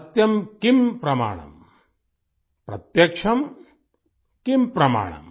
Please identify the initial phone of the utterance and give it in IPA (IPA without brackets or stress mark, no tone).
t̪